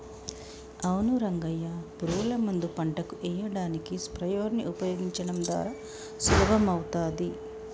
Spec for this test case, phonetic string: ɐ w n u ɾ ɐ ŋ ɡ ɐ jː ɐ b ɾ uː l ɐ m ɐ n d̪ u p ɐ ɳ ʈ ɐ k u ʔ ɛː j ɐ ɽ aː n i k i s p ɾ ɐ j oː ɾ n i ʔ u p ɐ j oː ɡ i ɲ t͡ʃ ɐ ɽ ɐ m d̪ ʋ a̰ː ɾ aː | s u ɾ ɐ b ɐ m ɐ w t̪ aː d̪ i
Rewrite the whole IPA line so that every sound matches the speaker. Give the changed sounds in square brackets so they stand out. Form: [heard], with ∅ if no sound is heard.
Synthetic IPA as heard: ɐ w n u ɾ ɐ ŋ ɡ ɐ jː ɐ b ɾ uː l ɐ m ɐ n d̪ u p ɐ ɳ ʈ ɐ k u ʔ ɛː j ɐ ɽ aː n i k i s p ɾ ɐ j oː ɾ n i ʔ u p ɐ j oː ɡ i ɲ t͡ʃ ɐ ɽ ɐ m d̪ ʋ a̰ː ɾ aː | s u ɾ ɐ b ɐ m ɐ w t̪ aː d̪ i